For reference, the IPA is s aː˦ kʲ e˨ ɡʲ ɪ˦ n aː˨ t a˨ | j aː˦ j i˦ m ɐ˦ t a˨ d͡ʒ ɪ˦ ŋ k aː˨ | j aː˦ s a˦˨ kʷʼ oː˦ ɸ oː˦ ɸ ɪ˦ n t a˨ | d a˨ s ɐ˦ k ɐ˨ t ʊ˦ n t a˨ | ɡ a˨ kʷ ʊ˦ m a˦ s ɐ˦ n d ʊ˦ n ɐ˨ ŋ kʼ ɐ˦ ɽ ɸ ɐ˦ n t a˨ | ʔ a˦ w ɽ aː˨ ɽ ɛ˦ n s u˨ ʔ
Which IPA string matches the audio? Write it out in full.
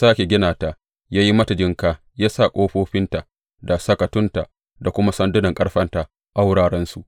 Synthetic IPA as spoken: s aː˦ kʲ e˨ ɡʲ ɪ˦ n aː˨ t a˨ | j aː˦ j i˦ m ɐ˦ t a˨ d͡ʒ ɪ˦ ŋ k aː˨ | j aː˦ s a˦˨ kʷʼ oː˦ ɸ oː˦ ɸ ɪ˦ n t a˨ | d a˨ s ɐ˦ k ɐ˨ t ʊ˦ n t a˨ | d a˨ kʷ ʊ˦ m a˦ s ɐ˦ n d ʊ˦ n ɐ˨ ŋ kʼ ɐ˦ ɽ ɸ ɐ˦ n t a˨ | ʔ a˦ w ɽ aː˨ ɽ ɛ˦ n s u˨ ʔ

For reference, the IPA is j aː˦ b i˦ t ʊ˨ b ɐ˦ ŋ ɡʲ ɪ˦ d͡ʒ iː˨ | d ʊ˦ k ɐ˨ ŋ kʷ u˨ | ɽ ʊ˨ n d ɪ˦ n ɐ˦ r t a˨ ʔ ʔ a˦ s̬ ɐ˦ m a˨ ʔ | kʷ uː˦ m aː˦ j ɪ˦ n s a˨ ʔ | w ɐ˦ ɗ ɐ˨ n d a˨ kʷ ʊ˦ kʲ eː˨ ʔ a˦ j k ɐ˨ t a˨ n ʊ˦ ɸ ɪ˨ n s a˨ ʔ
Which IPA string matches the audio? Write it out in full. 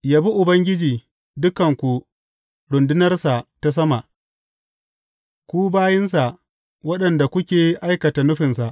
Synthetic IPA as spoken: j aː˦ b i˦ ʔ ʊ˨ b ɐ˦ ŋ ɡʲ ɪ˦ d͡ʒ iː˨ | d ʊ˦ k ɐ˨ ŋ kʷ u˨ | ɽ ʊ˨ n d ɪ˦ n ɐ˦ r s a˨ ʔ t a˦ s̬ ɐ˦ m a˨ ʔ | kʷ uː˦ b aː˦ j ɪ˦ n s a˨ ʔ | w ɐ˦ ɗ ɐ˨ n d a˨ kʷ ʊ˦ kʲ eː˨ ʔ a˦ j k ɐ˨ t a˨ n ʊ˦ ɸ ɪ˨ n s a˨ ʔ

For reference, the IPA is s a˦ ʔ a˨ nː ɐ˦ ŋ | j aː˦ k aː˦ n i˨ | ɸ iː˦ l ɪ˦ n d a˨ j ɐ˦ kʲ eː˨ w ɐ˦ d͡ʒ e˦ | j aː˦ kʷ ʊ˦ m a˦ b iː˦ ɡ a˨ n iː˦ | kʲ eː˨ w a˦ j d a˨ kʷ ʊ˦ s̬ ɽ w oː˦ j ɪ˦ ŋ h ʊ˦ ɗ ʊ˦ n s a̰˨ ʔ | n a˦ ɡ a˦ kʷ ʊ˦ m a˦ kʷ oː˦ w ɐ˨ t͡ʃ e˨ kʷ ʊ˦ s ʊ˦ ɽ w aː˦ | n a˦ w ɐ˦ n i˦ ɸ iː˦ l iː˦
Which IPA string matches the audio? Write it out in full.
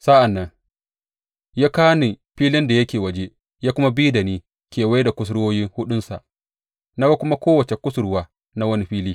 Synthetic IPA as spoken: s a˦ ʔ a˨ nː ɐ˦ ŋ | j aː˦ k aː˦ n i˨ | ɸ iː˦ l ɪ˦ n d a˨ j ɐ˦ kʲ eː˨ w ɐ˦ d͡ʒ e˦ | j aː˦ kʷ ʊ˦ m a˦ b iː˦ d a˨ n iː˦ | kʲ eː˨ w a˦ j d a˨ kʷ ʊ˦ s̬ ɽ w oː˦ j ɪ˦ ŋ h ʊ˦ ɗ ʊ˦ n s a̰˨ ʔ | n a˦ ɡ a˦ kʷ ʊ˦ m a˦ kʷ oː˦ w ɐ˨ t͡ʃ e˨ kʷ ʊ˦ s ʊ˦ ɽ w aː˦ | n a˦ w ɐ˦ n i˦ ɸ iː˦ l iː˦

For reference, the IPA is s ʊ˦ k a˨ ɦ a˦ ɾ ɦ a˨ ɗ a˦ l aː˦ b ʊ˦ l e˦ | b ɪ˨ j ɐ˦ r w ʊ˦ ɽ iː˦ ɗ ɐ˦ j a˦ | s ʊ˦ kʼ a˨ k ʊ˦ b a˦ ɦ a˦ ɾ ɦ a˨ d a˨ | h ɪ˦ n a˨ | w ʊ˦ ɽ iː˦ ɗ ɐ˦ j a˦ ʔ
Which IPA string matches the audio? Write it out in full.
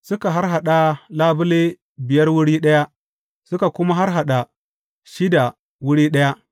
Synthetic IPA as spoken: s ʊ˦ k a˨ ɦ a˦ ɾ ɦ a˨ ɗ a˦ l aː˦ b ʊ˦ l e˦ | b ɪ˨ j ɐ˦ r w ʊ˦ ɽ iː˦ ɗ ɐ˦ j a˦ | s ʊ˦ k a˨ k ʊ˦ m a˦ ɦ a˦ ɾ ɦ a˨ ɗ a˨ | ʃ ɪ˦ d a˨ | w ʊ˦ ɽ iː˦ ɗ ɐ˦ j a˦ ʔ

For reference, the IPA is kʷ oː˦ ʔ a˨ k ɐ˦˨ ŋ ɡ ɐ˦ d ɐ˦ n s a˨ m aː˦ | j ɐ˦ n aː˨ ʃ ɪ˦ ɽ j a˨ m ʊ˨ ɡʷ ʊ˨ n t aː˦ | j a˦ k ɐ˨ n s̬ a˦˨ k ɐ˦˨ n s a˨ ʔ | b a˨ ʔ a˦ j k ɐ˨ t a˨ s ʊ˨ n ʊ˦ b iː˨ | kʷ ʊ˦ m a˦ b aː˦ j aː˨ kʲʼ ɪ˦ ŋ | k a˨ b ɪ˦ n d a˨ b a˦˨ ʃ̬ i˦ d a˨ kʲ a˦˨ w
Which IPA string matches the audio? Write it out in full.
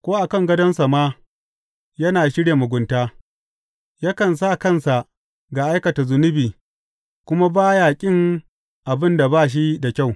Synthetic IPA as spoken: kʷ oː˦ ʔ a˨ k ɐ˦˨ ŋ ɡ ɐ˦ d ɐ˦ n s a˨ m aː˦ | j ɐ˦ n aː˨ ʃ ɪ˦ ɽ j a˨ m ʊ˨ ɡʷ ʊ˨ n t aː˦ | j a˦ k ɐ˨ n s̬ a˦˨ k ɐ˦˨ n s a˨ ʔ | ɡ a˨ ʔ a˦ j k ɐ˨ t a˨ z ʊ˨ n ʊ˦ b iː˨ | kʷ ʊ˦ m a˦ b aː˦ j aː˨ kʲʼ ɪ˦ ŋ | ʔ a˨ b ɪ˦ n d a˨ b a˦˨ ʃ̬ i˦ d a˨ kʲ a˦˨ w

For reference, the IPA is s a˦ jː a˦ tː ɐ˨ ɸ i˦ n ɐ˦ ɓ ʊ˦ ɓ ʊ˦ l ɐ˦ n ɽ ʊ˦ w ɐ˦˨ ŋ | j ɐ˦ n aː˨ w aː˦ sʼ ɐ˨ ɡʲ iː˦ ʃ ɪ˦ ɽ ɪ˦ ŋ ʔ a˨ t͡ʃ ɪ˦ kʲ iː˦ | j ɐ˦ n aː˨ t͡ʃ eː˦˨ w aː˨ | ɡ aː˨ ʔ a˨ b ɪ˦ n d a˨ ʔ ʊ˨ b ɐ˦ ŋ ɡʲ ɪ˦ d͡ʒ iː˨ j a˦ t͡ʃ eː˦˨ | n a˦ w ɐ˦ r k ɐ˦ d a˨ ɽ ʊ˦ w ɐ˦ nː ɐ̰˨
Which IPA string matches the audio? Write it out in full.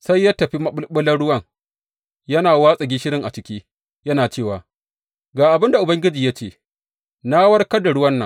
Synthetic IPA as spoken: s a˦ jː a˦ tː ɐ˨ ɸ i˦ m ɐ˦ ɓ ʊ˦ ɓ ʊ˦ l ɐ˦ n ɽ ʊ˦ w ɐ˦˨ ŋ | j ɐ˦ n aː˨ w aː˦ sʼ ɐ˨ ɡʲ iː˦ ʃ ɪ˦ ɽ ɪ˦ ŋ ʔ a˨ t͡ʃ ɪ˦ kʲ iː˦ | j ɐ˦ n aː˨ t͡ʃ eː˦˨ w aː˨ | ɡ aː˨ ʔ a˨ b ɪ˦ n d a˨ ʔ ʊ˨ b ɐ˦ ŋ ɡʲ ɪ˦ d͡ʒ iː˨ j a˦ t͡ʃ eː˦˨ | n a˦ w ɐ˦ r k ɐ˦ d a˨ ɽ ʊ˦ w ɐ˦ nː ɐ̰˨

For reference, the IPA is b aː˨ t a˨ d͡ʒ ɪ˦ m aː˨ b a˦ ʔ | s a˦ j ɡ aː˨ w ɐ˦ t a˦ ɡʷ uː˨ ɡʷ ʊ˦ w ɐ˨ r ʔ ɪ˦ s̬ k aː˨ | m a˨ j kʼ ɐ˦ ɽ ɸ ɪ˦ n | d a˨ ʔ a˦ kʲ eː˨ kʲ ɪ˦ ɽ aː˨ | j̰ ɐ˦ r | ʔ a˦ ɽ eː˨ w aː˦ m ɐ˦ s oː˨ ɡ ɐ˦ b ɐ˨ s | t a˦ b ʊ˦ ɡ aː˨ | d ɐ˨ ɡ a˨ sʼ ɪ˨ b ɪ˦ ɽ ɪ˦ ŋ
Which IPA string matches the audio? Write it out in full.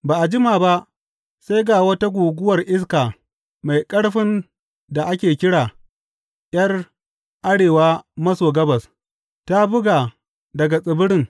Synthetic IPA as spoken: b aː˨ ʔ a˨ d͡ʒ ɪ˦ m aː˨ b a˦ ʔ | s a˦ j ɡ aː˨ w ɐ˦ t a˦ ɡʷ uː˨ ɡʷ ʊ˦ w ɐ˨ r ʔ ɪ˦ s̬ k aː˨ | m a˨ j kʼ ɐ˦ ɽ ɸ ɪ˦ n | d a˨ ʔ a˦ kʲ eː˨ kʲ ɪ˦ ɽ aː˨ | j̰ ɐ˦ r | ʔ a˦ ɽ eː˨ w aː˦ m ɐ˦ s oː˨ ɡ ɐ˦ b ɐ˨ s | t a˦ b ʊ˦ ɡ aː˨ | d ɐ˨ ɡ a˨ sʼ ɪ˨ b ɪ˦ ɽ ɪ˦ ŋ

